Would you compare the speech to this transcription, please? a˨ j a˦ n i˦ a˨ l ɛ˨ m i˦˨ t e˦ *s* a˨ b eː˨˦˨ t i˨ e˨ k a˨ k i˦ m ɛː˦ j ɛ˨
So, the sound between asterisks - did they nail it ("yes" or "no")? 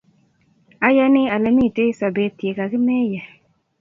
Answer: yes